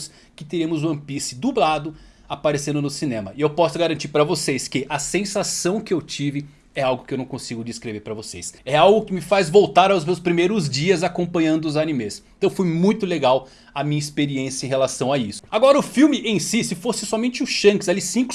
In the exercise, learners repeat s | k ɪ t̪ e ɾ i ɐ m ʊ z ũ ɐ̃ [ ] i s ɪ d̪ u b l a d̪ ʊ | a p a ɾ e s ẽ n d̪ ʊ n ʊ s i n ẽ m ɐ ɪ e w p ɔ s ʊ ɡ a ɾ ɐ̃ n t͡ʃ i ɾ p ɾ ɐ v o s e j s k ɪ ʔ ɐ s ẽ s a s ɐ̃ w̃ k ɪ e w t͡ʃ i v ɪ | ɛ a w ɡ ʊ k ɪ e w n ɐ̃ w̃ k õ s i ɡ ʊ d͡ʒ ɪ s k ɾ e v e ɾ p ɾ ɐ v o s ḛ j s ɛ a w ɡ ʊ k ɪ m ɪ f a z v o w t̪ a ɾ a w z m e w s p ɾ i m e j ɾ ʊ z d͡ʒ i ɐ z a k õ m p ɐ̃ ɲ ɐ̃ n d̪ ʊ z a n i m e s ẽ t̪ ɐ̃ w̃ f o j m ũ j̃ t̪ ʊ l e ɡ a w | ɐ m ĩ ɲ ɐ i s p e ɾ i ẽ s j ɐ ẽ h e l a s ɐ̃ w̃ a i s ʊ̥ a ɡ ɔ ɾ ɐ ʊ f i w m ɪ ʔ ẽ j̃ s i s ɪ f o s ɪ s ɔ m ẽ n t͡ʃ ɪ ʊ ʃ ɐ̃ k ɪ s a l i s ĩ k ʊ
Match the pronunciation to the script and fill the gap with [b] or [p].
p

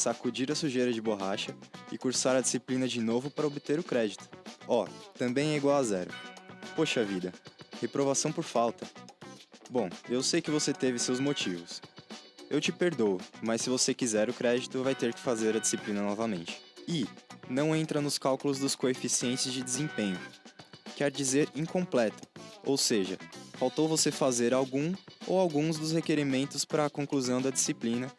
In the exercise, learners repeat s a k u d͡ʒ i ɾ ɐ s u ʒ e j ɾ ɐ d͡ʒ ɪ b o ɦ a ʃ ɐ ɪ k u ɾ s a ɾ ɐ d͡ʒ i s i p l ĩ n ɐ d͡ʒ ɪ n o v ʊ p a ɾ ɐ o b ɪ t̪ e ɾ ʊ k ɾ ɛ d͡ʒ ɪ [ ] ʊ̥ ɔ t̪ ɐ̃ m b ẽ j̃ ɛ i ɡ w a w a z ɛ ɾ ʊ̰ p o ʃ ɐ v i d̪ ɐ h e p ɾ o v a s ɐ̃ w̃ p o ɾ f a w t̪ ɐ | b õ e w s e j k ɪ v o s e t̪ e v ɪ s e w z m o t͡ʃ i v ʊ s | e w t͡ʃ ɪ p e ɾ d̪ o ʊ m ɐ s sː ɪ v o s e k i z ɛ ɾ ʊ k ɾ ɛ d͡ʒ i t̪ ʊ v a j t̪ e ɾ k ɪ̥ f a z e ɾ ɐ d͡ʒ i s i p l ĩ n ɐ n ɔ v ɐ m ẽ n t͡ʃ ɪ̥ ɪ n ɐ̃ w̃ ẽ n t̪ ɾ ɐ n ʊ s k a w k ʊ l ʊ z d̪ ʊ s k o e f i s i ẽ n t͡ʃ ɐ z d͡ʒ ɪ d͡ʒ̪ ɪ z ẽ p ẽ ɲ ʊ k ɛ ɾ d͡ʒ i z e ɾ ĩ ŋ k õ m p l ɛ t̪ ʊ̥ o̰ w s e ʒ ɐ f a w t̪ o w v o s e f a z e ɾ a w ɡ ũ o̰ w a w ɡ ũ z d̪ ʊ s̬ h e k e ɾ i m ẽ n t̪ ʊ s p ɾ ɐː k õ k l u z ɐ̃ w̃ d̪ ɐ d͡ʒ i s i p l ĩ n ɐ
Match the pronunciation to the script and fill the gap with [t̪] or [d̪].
t̪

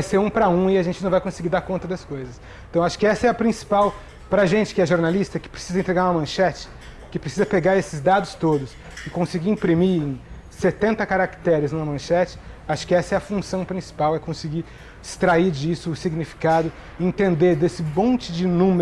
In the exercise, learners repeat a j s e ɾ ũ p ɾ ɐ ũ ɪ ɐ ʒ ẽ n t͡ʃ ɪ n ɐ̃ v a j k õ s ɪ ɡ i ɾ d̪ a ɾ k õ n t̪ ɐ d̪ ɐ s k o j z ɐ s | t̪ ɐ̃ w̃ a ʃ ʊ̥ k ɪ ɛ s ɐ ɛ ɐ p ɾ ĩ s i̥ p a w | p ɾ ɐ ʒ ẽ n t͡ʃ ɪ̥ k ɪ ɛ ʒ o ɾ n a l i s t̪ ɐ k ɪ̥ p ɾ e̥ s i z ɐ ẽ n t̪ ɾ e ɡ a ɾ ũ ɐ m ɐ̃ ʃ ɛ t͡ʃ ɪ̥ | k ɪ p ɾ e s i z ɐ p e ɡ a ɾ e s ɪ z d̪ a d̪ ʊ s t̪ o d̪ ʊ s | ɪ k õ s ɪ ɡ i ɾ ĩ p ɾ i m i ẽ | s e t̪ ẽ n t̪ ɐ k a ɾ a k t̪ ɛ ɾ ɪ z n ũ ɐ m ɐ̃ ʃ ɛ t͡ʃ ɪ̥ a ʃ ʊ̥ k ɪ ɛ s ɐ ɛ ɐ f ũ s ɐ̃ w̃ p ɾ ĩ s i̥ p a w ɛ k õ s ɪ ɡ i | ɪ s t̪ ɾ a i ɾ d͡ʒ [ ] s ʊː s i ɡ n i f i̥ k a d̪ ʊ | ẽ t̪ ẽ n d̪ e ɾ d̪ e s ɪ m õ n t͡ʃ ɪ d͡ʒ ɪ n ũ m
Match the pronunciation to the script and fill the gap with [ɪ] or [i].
i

